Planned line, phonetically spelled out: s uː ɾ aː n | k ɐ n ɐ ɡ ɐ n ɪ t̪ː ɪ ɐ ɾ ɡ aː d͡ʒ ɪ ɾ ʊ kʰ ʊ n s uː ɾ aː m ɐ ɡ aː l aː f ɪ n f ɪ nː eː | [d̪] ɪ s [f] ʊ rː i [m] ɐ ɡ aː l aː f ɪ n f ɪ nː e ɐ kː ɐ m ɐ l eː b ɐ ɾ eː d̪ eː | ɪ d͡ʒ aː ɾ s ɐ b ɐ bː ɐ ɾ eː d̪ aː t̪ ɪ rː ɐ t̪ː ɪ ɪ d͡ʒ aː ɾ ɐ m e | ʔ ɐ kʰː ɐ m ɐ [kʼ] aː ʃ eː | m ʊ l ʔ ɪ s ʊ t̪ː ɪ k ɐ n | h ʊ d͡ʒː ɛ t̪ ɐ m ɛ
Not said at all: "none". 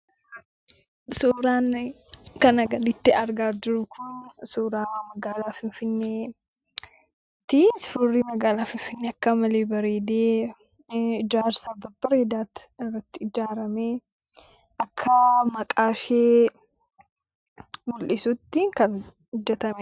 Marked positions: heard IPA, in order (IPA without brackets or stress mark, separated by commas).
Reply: t̪, f, m, kʼ